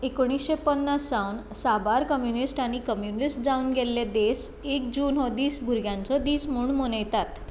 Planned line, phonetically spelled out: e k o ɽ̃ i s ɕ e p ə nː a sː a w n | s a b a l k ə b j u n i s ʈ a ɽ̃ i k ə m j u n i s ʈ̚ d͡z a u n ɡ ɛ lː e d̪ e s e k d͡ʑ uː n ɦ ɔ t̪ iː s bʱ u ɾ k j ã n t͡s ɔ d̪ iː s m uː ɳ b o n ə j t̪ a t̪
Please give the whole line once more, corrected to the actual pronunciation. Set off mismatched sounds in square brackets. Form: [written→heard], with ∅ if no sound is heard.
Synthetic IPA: e k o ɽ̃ i s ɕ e p ə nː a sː a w n | s a b a [l→ɾ] k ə [b→m] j u n i s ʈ a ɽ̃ i k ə m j u n i s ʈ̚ d͡z a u n ɡ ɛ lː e d̪ e s e k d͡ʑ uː n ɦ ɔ [t̪→d̪] iː s bʱ u ɾ [k→ɡ] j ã n t͡s ɔ d̪ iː s m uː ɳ [b→m] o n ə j t̪ a t̪